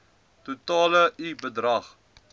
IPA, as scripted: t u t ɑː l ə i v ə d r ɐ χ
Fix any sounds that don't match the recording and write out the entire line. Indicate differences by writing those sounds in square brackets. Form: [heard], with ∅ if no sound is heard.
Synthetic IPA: t u t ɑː l ə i [b] ə d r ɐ χ